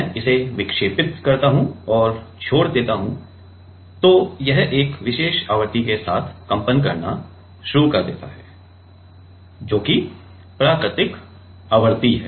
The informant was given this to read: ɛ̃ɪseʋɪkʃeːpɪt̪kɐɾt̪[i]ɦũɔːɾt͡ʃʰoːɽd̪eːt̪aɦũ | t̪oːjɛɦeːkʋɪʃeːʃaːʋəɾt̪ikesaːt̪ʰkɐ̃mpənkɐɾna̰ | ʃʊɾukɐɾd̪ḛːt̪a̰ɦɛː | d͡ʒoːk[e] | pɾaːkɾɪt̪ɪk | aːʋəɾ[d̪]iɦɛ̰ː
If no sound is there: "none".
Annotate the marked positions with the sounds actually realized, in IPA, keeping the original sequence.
a, i, t̪

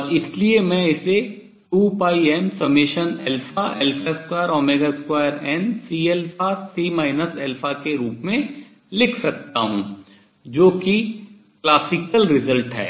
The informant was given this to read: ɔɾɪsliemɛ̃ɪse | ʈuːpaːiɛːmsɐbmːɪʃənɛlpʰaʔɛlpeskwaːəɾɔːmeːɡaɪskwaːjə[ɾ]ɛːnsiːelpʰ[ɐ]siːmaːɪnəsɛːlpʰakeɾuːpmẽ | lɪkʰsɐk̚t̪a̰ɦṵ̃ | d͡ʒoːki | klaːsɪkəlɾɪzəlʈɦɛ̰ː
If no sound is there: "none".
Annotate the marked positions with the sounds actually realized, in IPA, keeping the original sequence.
ɾ, a

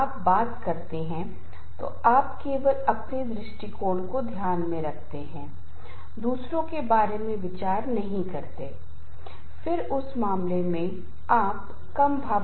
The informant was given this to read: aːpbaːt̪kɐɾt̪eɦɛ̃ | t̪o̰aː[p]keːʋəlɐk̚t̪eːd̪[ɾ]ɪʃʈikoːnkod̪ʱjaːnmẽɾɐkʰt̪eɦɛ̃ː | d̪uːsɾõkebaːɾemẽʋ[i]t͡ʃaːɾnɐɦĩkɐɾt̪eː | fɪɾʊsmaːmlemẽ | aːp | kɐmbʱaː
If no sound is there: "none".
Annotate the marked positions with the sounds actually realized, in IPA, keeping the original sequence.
p, ɾ, ɪ

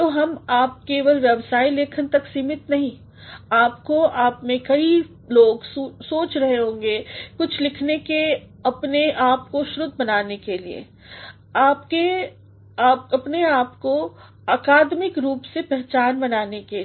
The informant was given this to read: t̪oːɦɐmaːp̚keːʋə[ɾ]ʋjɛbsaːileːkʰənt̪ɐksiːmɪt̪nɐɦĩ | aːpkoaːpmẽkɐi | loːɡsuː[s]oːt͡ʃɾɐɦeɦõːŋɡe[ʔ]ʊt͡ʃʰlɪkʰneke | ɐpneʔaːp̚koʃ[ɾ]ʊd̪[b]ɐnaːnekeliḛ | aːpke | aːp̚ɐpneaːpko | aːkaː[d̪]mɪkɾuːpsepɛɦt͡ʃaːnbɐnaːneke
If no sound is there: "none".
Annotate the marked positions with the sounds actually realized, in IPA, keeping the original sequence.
l, s, k, ɾ, b, d̪

